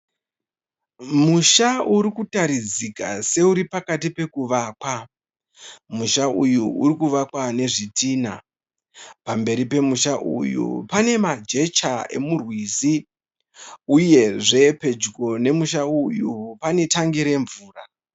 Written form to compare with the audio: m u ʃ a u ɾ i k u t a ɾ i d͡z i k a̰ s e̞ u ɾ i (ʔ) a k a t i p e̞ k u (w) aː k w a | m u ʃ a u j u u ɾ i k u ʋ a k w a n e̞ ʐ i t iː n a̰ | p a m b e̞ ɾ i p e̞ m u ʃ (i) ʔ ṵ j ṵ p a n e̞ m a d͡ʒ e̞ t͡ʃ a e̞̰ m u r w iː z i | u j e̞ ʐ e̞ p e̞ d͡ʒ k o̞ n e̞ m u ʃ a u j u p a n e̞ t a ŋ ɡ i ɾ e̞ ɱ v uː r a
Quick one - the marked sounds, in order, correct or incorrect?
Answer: incorrect: p, incorrect: ʋ, incorrect: a

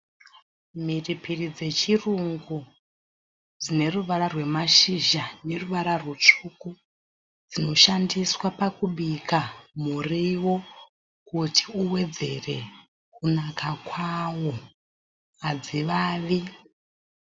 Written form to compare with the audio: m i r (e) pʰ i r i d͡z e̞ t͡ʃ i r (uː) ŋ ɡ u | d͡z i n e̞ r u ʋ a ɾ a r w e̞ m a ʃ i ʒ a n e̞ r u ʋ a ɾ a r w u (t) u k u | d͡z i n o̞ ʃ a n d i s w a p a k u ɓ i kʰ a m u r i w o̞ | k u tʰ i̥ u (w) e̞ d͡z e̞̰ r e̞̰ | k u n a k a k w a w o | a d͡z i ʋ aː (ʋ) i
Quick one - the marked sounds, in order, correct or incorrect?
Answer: incorrect: i, incorrect: u, incorrect: t͡ʂ, correct, correct

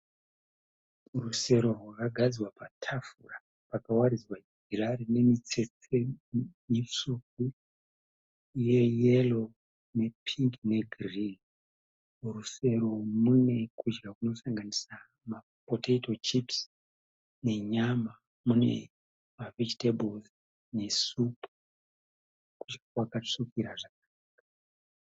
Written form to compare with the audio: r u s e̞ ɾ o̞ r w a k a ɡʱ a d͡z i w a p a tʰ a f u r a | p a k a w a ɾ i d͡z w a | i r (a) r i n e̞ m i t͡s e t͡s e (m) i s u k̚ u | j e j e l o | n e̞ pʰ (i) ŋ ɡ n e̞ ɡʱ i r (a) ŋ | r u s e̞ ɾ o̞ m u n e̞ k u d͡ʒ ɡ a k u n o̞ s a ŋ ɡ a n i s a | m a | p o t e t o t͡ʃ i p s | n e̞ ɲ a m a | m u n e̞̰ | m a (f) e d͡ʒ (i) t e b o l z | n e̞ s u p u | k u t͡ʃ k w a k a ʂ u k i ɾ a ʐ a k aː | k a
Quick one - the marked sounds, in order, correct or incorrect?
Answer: correct, correct, correct, incorrect: i, incorrect: v, correct

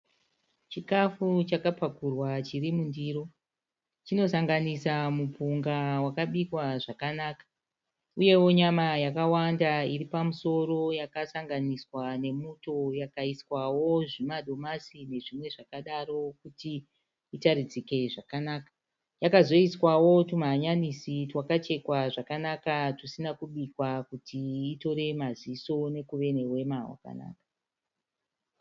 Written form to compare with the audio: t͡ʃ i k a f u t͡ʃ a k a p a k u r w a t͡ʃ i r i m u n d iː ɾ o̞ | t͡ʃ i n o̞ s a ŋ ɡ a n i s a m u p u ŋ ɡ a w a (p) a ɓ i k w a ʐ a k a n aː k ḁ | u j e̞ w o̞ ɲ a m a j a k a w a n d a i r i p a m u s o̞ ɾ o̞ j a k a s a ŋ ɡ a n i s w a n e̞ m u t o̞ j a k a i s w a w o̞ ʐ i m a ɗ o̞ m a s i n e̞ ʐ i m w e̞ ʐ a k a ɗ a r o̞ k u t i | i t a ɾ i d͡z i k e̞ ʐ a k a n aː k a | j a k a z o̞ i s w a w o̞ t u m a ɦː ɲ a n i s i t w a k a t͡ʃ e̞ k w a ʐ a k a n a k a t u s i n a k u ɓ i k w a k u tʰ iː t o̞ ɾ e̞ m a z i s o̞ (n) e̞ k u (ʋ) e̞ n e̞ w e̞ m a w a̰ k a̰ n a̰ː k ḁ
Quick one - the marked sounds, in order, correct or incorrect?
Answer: incorrect: k, correct, correct

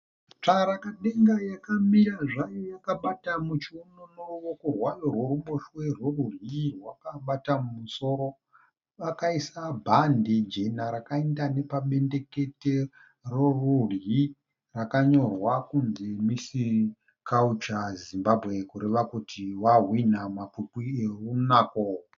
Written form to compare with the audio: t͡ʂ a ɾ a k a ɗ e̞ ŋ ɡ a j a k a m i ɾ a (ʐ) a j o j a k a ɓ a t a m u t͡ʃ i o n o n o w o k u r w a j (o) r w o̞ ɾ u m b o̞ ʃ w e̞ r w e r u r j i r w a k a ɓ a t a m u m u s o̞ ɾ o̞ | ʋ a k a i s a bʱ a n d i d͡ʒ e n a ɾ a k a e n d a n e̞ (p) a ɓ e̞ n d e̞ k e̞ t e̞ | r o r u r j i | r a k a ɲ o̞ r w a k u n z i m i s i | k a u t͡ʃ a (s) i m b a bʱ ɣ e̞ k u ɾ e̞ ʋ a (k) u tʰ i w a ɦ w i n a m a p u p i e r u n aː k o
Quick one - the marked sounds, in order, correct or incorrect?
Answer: correct, correct, correct, incorrect: z, correct

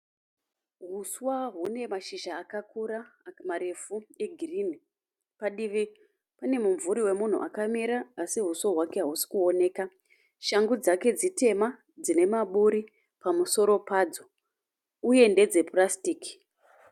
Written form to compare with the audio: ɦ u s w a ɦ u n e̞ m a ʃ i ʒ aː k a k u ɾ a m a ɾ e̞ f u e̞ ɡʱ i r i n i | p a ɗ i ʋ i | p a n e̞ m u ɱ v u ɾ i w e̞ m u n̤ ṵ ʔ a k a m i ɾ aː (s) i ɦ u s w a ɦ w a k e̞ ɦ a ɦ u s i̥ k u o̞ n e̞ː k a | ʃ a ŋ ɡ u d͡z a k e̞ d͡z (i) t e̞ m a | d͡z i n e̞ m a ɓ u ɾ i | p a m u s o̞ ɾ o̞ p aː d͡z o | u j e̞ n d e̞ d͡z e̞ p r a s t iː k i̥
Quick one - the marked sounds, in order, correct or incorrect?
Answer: correct, correct

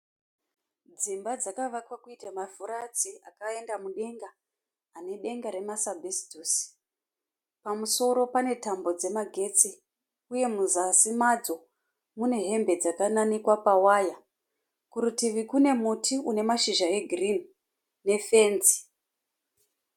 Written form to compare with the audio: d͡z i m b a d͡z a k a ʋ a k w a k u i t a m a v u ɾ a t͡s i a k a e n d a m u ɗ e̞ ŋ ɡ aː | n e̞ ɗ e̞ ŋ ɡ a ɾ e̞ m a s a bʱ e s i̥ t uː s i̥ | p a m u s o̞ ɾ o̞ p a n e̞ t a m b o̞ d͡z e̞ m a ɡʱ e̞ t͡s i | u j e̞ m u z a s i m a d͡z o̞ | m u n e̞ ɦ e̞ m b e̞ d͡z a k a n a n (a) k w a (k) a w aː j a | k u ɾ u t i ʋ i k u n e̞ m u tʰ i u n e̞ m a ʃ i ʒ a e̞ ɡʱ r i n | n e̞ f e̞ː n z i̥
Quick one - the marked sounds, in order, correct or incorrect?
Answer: incorrect: i, incorrect: p

